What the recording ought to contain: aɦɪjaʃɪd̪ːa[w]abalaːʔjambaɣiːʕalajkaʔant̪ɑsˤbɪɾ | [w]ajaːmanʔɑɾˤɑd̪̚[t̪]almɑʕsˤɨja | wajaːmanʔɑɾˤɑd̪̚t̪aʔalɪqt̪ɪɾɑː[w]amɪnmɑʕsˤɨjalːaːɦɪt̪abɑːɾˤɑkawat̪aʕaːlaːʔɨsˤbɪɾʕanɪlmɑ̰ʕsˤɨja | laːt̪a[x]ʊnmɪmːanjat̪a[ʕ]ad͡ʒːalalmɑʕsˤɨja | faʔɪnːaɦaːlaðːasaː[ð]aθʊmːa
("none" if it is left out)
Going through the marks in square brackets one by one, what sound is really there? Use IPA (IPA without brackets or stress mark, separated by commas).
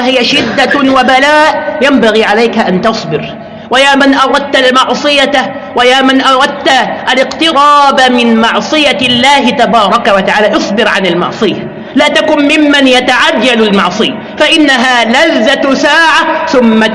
w, w, t̪, b, k, ʕ, ʕ